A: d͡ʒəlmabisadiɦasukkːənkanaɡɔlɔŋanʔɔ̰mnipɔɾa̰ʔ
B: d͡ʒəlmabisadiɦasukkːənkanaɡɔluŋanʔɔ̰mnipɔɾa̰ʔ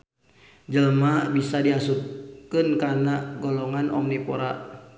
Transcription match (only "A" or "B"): A